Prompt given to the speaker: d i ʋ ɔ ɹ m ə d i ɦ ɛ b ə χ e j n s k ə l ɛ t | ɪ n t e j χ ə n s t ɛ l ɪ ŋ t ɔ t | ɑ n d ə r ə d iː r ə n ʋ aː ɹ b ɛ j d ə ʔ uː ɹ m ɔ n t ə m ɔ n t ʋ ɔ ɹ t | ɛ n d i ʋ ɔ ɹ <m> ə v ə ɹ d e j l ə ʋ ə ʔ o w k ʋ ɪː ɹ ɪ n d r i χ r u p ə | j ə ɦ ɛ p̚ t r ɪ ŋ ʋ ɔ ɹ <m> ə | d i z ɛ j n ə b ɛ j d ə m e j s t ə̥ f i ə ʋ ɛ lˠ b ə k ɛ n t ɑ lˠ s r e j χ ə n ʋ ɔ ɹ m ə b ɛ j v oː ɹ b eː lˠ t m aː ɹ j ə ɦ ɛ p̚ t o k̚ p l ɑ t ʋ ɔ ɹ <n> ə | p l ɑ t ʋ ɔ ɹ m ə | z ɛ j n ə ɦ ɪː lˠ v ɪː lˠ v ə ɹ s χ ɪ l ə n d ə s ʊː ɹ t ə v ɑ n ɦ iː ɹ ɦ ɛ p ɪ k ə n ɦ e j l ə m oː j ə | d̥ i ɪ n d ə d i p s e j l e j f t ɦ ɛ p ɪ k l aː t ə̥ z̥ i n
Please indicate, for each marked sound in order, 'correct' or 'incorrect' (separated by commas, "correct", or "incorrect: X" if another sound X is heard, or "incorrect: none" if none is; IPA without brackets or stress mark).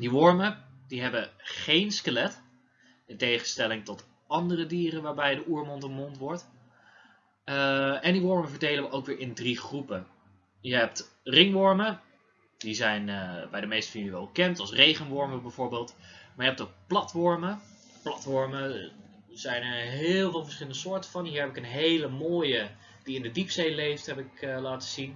correct, correct, incorrect: m